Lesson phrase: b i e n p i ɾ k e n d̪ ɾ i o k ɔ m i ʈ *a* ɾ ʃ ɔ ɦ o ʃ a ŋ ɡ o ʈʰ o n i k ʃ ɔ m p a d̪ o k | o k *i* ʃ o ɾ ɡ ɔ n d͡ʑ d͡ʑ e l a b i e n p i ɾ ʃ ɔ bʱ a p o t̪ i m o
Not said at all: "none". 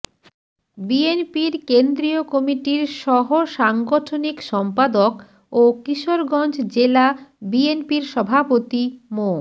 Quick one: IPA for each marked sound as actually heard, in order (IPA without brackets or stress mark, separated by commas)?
i, i